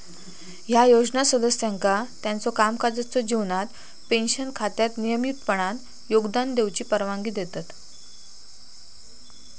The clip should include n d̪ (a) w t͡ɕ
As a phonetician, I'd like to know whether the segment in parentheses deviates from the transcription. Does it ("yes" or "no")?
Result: yes